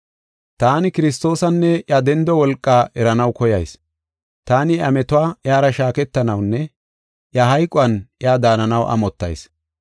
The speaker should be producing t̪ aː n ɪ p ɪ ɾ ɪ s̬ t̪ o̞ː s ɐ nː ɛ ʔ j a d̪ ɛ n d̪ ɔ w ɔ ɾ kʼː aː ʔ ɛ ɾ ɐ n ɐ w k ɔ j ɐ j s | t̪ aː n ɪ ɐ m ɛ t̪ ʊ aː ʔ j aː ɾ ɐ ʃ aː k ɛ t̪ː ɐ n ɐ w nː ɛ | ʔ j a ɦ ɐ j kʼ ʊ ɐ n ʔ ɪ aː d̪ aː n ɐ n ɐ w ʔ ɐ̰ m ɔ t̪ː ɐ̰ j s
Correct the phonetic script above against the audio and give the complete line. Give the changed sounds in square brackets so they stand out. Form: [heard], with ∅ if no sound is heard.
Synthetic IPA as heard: t̪ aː n ɪ [k] ɪ ɾ ɪ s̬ t̪ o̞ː s ɐ nː ɛ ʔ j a d̪ ɛ n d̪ ɔ w ɔ [l] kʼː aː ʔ ɛ ɾ ɐ n ɐ w k ɔ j ɐ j s | t̪ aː n ɪ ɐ m ɛ t̪ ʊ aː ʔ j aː ɾ ɐ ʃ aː k ɛ t̪ː ɐ n ɐ w nː ɛ | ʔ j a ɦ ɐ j kʼ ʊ ɐ n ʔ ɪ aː d̪ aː n ɐ n ɐ w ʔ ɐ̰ m ɔ t̪ː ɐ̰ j s

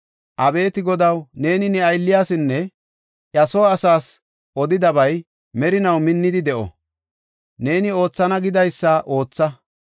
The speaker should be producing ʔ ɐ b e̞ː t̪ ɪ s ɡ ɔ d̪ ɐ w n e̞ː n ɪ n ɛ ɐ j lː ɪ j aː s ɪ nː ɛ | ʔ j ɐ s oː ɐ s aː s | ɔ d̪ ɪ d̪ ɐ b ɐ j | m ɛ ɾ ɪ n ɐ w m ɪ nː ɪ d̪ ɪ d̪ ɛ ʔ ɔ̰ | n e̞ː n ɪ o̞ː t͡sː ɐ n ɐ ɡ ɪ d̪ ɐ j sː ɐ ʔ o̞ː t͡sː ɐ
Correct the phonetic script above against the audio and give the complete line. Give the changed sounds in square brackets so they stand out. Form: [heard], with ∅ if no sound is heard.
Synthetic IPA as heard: ʔ ɐ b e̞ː t̪ ɪ [∅] ɡ ɔ d̪ ɐ w n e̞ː n ɪ n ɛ ɐ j lː ɪ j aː s ɪ nː ɛ | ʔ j ɐ s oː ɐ s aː s | ɔ d̪ ɪ d̪ ɐ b ɐ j | m ɛ ɾ ɪ n ɐ w m ɪ nː ɪ d̪ ɪ d̪ ɛ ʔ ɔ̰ | n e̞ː n ɪ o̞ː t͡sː ɐ n ɐ ɡ ɪ d̪ ɐ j sː ɐ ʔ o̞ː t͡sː ɐ

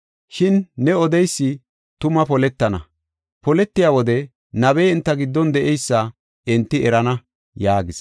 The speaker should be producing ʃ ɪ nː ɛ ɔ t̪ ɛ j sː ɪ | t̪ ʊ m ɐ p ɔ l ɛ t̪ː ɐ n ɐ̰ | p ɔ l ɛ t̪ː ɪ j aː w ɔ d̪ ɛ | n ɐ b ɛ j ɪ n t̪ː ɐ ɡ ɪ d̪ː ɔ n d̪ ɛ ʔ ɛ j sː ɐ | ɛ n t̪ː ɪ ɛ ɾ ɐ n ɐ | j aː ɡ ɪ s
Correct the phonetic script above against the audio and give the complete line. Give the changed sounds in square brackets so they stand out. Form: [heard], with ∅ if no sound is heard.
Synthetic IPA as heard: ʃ ɪ nː ɛ ɔ [d̪] ɛ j sː ɪ | t̪ ʊ m ɐ p ɔ l ɛ t̪ː ɐ n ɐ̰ | p ɔ l ɛ t̪ː ɪ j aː w ɔ d̪ ɛ | n ɐ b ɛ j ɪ n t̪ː ɐ ɡ ɪ d̪ː ɔ n d̪ ɛ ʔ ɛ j sː ɐ | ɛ n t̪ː ɪ ɛ ɾ ɐ n ɐ | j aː ɡ ɪ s

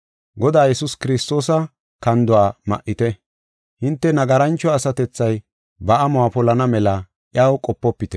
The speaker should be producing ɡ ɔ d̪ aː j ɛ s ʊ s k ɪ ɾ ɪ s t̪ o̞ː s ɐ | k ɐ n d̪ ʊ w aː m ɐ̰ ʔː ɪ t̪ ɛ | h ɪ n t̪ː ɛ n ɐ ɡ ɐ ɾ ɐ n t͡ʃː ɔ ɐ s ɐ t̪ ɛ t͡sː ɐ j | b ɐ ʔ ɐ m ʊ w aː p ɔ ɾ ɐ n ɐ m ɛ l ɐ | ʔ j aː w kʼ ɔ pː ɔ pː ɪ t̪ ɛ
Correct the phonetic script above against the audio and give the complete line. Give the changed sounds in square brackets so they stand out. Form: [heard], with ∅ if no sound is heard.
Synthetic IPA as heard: ɡ ɔ d̪ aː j ɛ s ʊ s k ɪ ɾ ɪ s t̪ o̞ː s ɐ | k ɐ n d̪ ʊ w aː m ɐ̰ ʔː ɪ t̪ ɛ | h ɪ n t̪ː ɛ n ɐ ɡ ɐ ɾ ɐ n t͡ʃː ɔ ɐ s ɐ t̪ ɛ t͡sː ɐ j | b ɐ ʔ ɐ m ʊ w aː p ɔ [l] ɐ n ɐ m ɛ l ɐ | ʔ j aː w kʼ ɔ pː ɔ pː ɪ t̪ ɛ

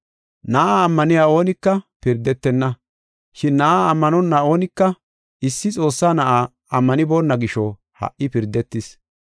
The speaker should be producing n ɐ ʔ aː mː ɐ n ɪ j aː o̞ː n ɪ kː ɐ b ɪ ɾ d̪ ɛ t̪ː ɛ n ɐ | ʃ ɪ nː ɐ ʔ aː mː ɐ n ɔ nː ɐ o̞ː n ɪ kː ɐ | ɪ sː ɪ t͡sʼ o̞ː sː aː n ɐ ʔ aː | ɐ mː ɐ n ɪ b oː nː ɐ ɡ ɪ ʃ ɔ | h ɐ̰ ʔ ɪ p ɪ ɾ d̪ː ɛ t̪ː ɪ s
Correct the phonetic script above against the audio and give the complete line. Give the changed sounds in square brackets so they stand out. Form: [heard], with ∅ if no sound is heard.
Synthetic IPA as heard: n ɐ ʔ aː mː ɐ n ɪ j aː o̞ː n ɪ kː ɐ [p] ɪ ɾ d̪ ɛ t̪ː ɛ [nː] ɐ | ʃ ɪ nː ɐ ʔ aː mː ɐ n ɔ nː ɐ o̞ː n ɪ kː ɐ | ɪ sː ɪ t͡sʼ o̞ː sː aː n ɐ ʔ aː | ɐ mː ɐ n ɪ b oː nː ɐ ɡ ɪ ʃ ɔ | h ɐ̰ ʔ ɪ p ɪ ɾ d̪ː ɛ t̪ː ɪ s

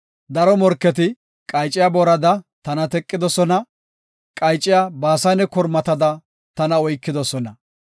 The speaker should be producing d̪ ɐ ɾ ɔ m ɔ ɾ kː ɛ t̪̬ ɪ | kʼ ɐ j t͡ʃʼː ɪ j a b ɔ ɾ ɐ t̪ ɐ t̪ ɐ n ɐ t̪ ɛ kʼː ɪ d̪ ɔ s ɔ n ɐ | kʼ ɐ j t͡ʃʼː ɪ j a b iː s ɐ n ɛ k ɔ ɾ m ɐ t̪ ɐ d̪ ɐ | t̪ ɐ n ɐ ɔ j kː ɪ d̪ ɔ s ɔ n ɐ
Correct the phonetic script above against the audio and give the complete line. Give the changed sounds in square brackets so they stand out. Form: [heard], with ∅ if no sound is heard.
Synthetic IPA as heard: d̪ ɐ ɾ ɔ m ɔ ɾ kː ɛ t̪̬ ɪ | kʼ ɐ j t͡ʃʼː ɪ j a b ɔ ɾ ɐ [d̪] ɐ t̪ ɐ n ɐ t̪ ɛ kʼː ɪ d̪ ɔ s ɔ n ɐ | kʼ ɐ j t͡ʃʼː ɪ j a b [aː] s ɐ n ɛ k ɔ ɾ m ɐ t̪ ɐ d̪ ɐ | t̪ ɐ n ɐ ɔ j kː ɪ d̪ ɔ s ɔ n ɐ

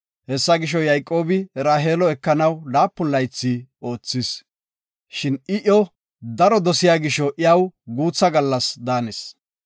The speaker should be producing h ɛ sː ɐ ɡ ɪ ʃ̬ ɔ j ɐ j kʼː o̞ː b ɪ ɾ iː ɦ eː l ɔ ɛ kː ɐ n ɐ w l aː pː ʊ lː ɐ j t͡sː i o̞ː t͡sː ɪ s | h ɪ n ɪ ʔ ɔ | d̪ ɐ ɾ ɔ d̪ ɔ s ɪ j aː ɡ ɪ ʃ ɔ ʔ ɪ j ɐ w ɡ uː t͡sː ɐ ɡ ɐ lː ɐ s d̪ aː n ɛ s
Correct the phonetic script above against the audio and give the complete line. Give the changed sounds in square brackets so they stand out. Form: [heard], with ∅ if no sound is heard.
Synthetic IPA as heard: h ɛ sː ɐ ɡ ɪ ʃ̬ ɔ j ɐ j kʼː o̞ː b ɪ ɾ [aː] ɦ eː l ɔ ɛ kː ɐ n ɐ w l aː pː ʊ lː ɐ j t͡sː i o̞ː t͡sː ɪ s | [ʃ] ɪ n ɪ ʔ ɔ | d̪ ɐ ɾ ɔ d̪ ɔ s ɪ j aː ɡ ɪ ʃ ɔ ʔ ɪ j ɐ w ɡ uː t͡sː ɐ ɡ ɐ lː ɐ s d̪ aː n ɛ s

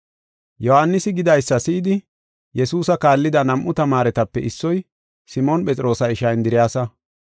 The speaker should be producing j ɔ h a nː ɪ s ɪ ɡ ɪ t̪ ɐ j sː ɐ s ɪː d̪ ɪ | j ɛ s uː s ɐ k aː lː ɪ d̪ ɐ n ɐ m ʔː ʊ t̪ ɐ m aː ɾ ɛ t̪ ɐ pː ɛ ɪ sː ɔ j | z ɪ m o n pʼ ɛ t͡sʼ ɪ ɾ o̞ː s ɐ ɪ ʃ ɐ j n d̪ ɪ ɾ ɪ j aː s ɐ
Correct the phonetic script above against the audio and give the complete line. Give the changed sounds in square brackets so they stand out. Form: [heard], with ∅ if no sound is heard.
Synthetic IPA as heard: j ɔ h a nː ɪ s ɪ ɡ ɪ [d̪] ɐ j sː ɐ s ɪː d̪ ɪ | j ɛ s uː s ɐ k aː lː ɪ d̪ ɐ n ɐ m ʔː ʊ t̪ ɐ m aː ɾ ɛ t̪ ɐ pː ɛ ɪ sː ɔ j | [s] ɪ m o n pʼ ɛ t͡sʼ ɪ ɾ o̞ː s ɐ ɪ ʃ ɐ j n d̪ ɪ ɾ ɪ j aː s ɐ

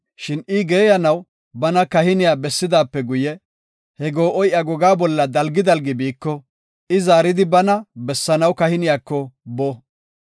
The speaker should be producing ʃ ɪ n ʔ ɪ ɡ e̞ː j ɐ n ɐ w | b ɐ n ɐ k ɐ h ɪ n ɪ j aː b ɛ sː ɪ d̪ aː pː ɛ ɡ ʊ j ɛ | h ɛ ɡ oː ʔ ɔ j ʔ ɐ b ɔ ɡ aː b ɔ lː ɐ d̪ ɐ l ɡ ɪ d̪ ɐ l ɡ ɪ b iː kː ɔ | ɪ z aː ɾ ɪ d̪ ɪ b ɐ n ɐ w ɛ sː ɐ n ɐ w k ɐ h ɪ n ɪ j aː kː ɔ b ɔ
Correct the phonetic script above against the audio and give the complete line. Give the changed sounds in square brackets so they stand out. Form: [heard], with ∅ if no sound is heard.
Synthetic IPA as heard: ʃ ɪ n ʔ ɪ ɡ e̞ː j ɐ n ɐ w | b ɐ n ɐ k ɐ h ɪ n ɪ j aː b ɛ sː ɪ d̪ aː pː ɛ ɡ ʊ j ɛ | h ɛ ɡ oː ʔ ɔ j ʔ ɐ [ɡ] ɔ ɡ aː b ɔ lː ɐ d̪ ɐ l ɡ ɪ d̪ ɐ l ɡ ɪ b iː kː ɔ | ɪ z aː ɾ ɪ d̪ ɪ b ɐ n ɐ [b] ɛ sː ɐ n ɐ w k ɐ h ɪ n ɪ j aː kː ɔ b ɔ

